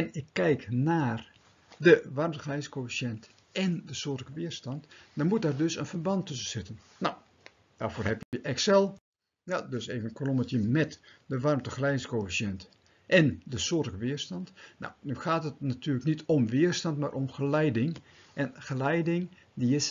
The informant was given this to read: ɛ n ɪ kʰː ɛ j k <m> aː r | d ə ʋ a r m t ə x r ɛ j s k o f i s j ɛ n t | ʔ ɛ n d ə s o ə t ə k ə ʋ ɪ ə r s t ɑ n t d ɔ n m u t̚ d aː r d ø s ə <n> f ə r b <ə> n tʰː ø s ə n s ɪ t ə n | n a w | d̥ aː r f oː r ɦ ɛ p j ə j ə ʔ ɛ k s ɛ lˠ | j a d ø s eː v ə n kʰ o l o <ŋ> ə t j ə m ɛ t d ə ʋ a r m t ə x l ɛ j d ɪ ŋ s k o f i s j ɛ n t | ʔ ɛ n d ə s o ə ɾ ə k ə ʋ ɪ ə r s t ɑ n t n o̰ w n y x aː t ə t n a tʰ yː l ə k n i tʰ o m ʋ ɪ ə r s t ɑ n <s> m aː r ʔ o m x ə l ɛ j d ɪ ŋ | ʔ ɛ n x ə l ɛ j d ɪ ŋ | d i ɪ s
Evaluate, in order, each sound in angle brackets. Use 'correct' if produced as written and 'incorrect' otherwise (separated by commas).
incorrect, correct, incorrect, incorrect, incorrect